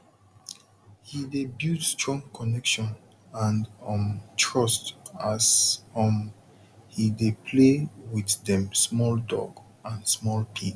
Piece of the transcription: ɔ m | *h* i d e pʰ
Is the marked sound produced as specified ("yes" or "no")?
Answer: yes